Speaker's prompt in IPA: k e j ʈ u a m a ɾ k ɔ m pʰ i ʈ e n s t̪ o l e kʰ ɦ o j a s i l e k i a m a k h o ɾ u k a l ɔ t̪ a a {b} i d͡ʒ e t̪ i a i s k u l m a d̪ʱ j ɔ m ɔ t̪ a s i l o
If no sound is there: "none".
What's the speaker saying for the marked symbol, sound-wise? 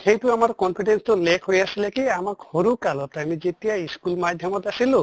m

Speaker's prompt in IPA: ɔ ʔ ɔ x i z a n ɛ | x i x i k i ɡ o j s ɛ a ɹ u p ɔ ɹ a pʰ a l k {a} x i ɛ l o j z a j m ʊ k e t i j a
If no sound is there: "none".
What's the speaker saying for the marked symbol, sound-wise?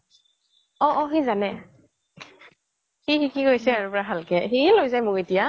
ɛ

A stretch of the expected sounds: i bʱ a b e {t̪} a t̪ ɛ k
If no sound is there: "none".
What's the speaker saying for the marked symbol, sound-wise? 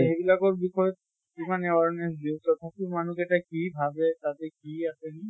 t̪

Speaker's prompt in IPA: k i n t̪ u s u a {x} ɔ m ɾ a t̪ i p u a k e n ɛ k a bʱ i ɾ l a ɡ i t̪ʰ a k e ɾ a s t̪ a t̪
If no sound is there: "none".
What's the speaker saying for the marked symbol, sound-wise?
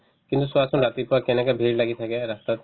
s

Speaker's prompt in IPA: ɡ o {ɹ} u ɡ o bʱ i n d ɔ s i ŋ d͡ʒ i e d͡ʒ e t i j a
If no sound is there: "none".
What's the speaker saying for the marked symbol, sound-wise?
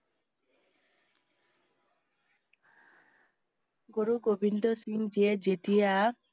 ɾ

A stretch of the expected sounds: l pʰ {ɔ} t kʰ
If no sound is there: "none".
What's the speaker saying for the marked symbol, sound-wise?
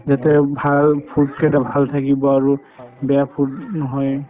u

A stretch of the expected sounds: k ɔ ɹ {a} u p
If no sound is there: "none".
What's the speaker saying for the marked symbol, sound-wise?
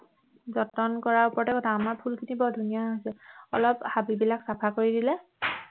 a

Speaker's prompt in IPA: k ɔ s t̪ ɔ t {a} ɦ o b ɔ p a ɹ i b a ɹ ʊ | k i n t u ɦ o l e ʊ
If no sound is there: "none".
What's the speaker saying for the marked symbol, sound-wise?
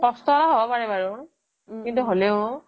a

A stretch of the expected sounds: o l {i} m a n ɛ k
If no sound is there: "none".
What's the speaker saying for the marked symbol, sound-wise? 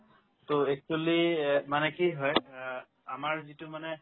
i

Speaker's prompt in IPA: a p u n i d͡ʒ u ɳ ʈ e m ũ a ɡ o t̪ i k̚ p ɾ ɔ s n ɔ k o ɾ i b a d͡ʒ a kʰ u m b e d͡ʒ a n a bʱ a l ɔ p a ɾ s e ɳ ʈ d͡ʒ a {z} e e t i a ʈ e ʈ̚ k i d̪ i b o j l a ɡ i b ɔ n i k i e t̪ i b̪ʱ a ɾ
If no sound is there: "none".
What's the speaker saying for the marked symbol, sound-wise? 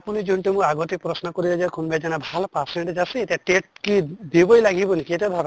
s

